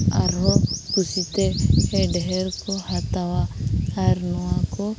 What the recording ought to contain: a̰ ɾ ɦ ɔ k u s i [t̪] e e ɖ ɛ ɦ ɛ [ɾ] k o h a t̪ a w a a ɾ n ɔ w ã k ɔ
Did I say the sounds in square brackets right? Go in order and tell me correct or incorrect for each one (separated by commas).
correct, correct